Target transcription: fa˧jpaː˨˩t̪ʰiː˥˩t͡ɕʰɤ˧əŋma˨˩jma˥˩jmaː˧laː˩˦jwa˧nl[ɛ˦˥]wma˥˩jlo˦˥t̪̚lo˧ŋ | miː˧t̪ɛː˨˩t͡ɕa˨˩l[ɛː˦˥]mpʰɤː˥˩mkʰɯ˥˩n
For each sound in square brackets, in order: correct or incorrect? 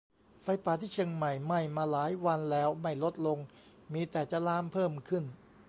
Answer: incorrect: ɛː˦˥, incorrect: aː˦˥

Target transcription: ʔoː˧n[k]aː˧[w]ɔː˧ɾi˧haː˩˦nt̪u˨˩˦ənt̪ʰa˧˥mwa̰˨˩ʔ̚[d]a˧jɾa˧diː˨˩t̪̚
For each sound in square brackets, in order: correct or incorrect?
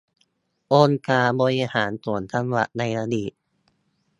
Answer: correct, incorrect: b, incorrect: n

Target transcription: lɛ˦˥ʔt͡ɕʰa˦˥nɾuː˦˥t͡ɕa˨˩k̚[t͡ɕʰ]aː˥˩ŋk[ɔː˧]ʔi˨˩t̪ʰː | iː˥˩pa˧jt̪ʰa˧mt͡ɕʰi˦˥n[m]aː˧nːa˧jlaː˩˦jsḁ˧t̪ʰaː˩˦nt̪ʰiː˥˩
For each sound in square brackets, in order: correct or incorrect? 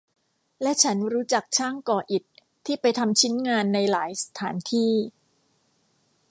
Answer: correct, correct, incorrect: ŋ

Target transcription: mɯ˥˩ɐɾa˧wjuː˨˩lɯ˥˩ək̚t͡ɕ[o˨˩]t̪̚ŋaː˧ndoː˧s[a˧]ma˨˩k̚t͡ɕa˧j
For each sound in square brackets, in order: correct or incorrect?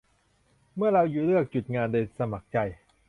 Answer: incorrect: u˨˩, correct

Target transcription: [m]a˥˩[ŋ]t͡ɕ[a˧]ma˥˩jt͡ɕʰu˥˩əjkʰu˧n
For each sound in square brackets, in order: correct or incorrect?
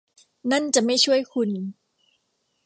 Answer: incorrect: n, incorrect: n, incorrect: a˨˩

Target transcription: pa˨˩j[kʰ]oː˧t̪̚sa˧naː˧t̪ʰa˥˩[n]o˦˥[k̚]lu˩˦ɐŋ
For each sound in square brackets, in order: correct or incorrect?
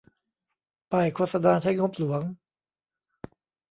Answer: correct, incorrect: ŋ, incorrect: p̚

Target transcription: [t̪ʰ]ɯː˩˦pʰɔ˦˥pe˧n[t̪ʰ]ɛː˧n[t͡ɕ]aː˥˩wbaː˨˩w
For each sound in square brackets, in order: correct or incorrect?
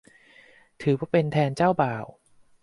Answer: correct, correct, correct

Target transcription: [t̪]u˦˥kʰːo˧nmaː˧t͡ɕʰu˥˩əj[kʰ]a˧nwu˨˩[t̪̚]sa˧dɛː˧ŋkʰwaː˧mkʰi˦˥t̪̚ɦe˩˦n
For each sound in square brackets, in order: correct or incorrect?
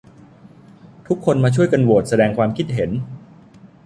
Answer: incorrect: t̪ʰ, incorrect: k, correct

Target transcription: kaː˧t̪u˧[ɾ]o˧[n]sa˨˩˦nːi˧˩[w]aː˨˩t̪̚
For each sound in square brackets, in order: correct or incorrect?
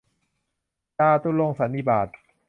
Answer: incorrect: l, incorrect: ŋ, incorrect: b

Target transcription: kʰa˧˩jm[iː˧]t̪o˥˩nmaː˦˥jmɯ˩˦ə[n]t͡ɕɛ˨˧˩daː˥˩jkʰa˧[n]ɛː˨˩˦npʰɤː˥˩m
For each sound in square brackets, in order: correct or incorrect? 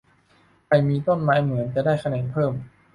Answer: correct, correct, correct

